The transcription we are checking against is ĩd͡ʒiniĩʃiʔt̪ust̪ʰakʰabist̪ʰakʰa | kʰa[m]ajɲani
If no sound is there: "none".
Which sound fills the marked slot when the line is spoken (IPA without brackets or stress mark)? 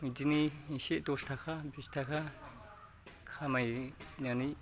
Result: m